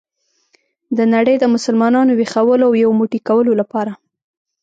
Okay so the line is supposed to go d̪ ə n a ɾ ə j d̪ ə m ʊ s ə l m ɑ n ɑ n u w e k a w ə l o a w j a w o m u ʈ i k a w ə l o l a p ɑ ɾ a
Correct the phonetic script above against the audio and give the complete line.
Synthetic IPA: d̪ ə n a ɽ ə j d̪ ə m ʊ s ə l m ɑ n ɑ n o w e x a w ə l o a w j a w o m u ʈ i k a w ə l o l a p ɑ ɾ a